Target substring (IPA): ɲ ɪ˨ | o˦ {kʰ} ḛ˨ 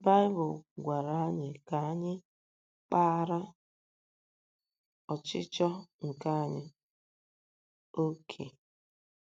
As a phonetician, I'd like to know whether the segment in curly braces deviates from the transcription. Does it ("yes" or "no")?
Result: no